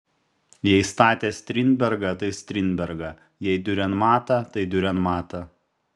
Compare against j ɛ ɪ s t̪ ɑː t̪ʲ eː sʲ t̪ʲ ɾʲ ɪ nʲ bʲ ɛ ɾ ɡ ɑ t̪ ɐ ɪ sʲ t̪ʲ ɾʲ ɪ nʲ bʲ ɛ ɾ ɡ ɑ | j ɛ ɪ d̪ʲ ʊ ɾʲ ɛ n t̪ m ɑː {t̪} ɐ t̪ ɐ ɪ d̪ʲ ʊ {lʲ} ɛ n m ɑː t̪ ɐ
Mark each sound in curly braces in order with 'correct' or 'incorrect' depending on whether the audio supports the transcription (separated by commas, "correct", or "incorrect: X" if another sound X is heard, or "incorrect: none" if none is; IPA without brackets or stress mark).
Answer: correct, incorrect: ɾʲ